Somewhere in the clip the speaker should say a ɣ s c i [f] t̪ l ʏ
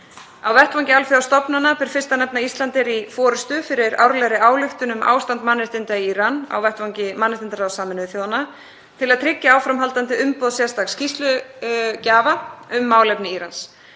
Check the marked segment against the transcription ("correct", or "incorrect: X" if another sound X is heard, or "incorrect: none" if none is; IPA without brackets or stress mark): incorrect: s